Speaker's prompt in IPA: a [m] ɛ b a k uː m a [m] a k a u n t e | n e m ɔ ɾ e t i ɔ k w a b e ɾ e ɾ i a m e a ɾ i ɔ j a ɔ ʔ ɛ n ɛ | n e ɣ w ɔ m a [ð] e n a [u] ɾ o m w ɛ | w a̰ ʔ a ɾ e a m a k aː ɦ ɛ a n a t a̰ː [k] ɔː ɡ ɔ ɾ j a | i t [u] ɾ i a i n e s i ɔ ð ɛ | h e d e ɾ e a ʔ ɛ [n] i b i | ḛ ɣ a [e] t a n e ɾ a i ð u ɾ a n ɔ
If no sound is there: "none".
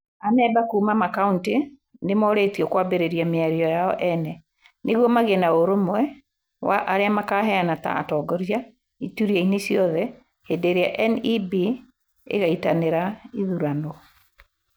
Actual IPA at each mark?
n, m, ɣ, o, t, u, n, i

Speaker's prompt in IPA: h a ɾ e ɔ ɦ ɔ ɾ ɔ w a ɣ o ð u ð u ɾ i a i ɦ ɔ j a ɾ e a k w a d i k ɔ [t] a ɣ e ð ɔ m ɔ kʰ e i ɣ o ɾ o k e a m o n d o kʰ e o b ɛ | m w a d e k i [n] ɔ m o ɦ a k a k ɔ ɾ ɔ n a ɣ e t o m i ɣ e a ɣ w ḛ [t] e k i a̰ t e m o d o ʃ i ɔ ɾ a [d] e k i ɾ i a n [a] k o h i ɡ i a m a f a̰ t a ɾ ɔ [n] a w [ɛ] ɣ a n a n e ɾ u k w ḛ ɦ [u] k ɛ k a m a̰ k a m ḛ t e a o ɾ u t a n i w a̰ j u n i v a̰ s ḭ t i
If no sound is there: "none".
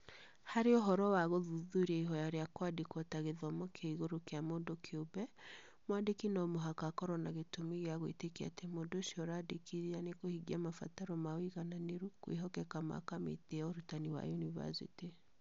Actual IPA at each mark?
t, n, t, d, e, m, i, ɔ

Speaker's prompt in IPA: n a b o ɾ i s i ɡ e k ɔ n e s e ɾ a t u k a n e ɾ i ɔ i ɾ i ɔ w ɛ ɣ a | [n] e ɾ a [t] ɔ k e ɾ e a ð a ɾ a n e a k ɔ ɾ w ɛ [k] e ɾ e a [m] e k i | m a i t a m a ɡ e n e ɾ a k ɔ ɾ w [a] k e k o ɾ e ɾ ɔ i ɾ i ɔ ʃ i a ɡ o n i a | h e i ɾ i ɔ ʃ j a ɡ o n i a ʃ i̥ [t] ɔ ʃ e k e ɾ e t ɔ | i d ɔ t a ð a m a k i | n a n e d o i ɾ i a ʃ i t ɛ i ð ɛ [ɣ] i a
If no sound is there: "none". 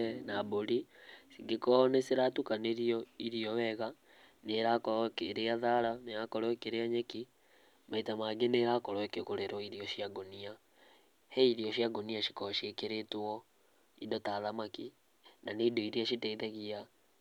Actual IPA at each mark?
n, k, k, ɲ, ɛ, k, ɣ

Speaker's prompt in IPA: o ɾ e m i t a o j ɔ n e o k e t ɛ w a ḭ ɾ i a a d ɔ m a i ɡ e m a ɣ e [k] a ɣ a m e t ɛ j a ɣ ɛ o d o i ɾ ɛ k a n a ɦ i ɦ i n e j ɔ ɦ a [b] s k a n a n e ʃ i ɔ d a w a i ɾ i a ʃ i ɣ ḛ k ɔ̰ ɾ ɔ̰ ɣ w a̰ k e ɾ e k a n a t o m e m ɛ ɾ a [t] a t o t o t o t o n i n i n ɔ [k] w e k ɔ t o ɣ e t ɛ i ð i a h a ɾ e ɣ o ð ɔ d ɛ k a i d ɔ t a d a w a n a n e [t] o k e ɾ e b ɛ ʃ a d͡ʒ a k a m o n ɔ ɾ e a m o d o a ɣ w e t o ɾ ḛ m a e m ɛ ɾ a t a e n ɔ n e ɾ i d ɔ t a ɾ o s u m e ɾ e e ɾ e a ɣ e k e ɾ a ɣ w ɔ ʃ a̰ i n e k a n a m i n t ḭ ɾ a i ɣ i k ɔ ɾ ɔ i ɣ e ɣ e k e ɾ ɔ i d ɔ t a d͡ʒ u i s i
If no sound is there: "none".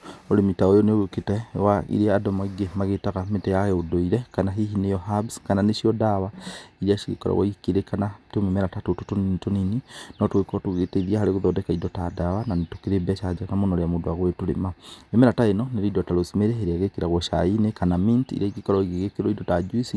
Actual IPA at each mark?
t, b, t, t, t

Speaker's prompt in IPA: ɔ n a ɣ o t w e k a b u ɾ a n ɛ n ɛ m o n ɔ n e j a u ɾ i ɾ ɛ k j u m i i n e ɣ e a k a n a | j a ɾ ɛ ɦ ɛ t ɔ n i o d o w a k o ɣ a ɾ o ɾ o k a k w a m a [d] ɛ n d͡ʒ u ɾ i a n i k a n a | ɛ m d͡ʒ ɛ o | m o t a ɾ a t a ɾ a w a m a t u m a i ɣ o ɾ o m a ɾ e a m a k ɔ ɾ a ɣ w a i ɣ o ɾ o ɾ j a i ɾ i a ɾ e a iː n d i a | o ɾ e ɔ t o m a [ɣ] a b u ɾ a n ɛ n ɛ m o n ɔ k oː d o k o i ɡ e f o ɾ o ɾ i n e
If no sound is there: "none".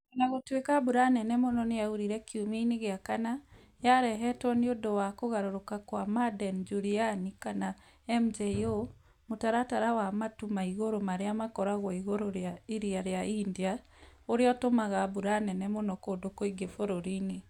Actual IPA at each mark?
d, ɣ

